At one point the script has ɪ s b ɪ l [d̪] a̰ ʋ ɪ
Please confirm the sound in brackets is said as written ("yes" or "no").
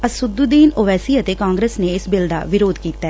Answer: yes